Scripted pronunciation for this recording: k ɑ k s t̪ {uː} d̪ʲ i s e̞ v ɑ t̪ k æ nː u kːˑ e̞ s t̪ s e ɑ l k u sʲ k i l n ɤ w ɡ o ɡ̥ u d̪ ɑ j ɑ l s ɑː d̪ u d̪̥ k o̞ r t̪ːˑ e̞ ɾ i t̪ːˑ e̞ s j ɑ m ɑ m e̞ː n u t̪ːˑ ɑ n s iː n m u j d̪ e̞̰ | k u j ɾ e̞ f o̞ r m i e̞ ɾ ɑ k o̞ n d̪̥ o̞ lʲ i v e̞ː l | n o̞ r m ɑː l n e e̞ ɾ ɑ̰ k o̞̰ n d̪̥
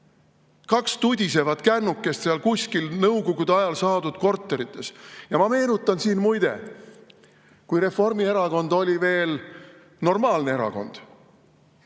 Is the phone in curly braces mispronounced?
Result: yes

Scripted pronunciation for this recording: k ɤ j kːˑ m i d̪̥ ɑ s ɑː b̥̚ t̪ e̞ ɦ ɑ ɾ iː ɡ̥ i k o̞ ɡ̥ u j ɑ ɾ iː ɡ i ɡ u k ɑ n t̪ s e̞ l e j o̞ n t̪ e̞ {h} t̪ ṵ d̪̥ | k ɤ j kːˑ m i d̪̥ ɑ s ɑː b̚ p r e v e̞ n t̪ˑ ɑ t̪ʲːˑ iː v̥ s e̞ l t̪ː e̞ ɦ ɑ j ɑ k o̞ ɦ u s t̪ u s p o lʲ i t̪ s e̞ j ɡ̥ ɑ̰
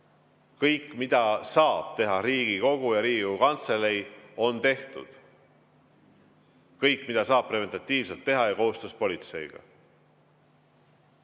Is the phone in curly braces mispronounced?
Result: no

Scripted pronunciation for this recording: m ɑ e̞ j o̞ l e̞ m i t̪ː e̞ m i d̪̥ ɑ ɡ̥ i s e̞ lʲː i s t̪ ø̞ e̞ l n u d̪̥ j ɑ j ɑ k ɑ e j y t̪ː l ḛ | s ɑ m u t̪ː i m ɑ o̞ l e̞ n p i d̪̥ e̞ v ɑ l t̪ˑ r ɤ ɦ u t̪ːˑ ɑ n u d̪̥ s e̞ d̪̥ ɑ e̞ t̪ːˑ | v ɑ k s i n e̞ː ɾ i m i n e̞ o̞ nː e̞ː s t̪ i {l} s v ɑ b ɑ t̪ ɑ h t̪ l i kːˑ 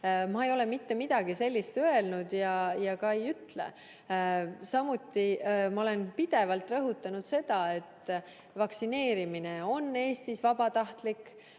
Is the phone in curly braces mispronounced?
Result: yes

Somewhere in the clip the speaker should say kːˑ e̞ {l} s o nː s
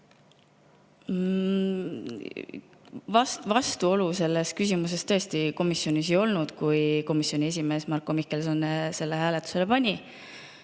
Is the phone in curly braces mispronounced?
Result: no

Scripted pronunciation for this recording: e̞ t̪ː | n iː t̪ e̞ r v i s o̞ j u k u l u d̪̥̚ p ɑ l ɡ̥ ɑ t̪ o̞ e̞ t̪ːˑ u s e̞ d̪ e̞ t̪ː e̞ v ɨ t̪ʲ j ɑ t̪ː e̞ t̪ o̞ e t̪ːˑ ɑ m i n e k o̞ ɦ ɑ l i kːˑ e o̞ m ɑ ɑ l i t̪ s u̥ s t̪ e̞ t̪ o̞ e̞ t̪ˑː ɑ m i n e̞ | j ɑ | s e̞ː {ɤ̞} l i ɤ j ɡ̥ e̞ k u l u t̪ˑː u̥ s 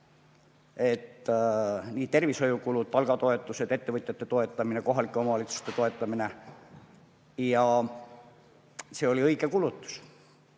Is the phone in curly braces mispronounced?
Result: yes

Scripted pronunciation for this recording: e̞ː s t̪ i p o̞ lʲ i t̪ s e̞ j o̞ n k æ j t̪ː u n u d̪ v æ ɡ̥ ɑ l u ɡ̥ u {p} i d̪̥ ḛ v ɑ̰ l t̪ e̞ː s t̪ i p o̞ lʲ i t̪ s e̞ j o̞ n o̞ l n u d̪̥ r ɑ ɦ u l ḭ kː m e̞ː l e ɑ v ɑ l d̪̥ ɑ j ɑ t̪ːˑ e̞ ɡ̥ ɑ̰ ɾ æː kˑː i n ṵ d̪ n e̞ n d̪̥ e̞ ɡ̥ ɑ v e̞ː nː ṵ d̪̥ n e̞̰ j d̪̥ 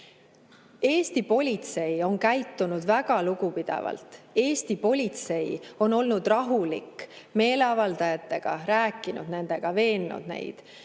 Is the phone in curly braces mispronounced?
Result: no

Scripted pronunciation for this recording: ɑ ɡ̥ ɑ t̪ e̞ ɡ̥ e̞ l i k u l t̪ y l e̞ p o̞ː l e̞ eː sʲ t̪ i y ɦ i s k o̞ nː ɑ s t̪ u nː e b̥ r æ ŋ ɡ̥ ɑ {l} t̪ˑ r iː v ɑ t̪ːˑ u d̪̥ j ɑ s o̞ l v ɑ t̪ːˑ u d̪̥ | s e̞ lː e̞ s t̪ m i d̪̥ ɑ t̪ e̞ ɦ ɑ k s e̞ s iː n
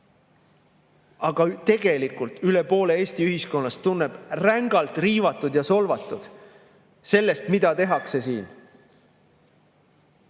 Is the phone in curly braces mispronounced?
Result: no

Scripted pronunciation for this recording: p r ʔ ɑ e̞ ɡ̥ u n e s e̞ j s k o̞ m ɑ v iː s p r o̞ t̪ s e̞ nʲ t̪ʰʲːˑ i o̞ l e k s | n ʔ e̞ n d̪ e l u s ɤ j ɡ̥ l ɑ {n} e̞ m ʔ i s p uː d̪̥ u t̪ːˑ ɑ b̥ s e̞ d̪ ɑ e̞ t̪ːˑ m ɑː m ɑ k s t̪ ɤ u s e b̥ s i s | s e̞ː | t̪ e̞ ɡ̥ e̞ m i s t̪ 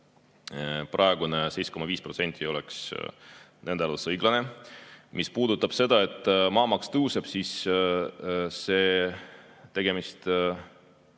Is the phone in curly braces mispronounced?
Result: no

